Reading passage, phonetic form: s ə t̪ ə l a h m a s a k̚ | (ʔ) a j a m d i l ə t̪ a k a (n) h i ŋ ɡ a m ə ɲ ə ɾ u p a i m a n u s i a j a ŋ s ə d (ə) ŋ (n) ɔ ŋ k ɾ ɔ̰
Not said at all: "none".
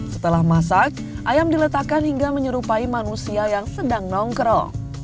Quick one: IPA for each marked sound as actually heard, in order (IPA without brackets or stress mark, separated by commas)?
ʔ, n, a, n